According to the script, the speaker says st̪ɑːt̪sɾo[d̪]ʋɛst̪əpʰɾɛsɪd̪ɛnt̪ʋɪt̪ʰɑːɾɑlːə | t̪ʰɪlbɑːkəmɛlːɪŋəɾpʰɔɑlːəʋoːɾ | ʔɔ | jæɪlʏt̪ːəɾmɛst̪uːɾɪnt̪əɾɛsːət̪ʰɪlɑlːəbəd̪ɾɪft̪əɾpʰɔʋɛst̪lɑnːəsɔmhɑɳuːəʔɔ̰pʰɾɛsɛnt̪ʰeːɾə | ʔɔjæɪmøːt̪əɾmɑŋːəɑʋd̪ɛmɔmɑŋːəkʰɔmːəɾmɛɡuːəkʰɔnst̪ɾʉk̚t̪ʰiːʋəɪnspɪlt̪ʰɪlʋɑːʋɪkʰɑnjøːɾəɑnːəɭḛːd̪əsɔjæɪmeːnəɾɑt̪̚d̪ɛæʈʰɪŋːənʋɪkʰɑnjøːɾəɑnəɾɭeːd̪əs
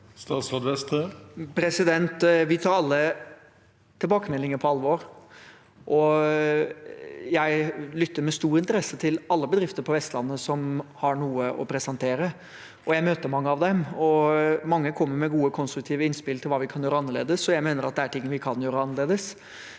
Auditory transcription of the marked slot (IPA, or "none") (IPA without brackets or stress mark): d̪